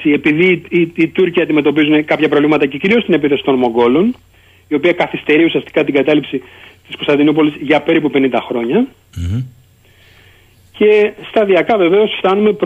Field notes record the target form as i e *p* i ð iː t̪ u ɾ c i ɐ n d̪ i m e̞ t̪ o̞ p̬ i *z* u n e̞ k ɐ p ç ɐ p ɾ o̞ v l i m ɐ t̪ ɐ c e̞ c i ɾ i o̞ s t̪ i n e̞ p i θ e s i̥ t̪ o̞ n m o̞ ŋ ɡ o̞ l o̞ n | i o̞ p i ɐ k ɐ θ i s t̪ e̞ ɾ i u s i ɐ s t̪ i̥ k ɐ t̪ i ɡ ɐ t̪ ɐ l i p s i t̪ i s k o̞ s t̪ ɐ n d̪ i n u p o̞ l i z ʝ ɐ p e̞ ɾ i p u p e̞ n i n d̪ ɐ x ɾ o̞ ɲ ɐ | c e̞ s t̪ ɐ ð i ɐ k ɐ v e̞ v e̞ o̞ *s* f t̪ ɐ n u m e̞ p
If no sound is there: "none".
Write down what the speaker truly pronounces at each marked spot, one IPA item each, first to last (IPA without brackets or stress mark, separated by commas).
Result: p, z, s